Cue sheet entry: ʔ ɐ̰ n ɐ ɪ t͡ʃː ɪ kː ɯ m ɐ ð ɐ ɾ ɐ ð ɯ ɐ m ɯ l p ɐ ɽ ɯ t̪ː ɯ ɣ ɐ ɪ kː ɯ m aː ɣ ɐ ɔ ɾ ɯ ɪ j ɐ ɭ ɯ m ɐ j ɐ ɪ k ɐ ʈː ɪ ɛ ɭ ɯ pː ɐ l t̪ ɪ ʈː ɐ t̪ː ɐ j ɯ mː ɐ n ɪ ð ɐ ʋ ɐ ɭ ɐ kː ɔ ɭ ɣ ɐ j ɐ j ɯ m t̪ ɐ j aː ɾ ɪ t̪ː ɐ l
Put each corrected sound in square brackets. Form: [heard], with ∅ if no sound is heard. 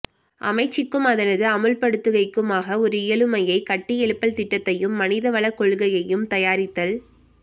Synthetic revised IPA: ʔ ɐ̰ [m] ɐ ɪ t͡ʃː ɪ kː ɯ m ɐ ð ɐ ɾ ɐ ð ɯ ɐ m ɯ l p ɐ ɽ ɯ t̪ː ɯ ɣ ɐ ɪ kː ɯ m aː ɣ ɐ ɔ ɾ ɯ ɪ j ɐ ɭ ɯ m ɐ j ɐ ɪ k ɐ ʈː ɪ ɛ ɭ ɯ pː ɐ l t̪ ɪ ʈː ɐ t̪ː ɐ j ɯ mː ɐ n ɪ ð ɐ ʋ ɐ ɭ ɐ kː ɔ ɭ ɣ ɐ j ɐ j ɯ m t̪ ɐ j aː ɾ ɪ t̪ː ɐ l